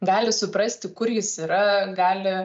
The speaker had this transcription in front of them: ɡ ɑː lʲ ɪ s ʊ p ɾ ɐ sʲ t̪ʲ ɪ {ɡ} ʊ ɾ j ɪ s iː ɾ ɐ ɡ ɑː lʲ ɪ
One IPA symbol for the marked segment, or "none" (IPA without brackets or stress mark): k